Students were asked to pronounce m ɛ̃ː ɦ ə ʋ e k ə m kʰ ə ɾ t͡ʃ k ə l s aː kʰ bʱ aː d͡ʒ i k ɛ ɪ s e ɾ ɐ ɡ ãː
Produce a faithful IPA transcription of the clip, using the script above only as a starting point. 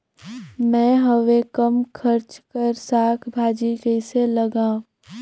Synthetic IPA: m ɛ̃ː ɦ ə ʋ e k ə m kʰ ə ɾ t͡ʃ k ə ɾ s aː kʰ bʱ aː d͡ʒ i k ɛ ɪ s e l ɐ ɡ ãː

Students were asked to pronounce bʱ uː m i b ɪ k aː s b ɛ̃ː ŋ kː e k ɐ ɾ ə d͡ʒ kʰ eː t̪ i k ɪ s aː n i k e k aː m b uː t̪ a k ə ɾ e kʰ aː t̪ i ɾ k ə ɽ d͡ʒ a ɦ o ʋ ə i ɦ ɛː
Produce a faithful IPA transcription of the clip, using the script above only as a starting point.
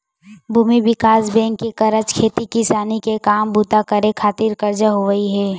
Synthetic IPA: bʱ uː m i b ɪ k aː s b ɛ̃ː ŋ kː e k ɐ ɾ ə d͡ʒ kʰ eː t̪ i k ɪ s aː n i k e k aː m b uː t̪ a k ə ɾ e kʰ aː t̪ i ɾ k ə ɾ d͡ʒ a ɦ o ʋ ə i ɦ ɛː

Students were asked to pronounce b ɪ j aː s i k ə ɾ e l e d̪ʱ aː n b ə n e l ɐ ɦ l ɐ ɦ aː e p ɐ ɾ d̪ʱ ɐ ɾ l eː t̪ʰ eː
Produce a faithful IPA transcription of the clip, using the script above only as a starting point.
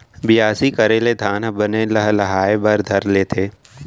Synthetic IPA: b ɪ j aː s i k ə ɾ e l e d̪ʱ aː n b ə n e l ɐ ɦ l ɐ ɦ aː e b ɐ ɾ d̪ʱ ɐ ɾ l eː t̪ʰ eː

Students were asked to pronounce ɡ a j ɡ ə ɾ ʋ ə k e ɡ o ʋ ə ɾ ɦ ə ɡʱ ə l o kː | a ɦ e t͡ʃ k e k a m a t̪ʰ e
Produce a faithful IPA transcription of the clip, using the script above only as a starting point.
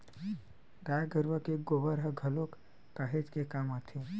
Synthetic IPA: ɡ a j ɡ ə ɾ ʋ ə k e ɡ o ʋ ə ɾ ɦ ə ɡʱ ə l o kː | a ɦ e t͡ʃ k e k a m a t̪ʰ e

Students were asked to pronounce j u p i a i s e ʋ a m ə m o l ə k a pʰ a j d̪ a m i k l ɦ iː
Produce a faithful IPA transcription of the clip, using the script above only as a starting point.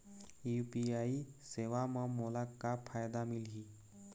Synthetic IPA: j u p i a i s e ʋ a m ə m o l a k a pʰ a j d̪ a m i l ɦ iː

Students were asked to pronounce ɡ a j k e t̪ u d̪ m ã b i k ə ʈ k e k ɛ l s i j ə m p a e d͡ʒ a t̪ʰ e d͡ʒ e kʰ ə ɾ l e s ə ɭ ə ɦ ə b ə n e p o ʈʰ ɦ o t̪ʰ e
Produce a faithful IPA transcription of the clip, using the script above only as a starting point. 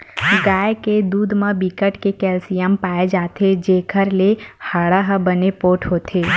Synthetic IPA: ɡ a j k e d̪ u d̪ m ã b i k ə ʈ k e k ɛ l s i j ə m p a e d͡ʒ a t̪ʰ e d͡ʒ e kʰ ə ɾ l e h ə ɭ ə ɦ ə b ə n e p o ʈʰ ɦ o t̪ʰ e

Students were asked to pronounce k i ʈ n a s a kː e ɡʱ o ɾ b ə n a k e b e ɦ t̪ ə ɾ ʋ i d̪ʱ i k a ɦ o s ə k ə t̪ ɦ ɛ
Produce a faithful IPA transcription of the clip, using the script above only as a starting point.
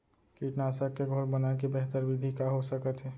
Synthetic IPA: k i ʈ n a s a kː e ɡʱ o ɾ b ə n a k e b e ɦ t̪ ə ɾ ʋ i d̪ʱ i k a ɦ o s ə k ə t̪ ɦ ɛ

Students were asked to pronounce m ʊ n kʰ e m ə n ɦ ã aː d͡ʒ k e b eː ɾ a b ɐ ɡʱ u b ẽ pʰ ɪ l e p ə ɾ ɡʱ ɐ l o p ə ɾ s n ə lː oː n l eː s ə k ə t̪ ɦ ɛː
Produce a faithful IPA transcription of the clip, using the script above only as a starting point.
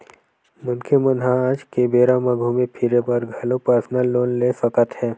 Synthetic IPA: m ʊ n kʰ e m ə n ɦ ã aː d͡ʒ k e b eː ɾ a m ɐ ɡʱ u m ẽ pʰ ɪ ɾ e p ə ɾ ɡʱ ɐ l o p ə ɾ s n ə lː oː n l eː s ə k ə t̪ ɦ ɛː

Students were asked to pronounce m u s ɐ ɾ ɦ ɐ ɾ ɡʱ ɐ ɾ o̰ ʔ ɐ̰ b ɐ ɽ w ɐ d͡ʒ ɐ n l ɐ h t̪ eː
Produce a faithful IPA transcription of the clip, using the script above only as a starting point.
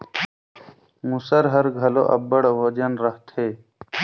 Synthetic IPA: m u s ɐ ɾ ɦ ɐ ɾ ɡʱ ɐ l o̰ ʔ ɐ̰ b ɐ ɽ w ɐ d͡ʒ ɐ n ɾ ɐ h t̪ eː

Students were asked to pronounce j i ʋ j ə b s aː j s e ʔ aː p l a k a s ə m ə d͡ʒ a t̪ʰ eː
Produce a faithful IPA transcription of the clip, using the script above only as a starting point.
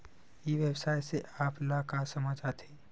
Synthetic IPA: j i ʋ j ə b s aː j s e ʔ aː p l a k a s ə m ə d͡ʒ a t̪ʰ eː

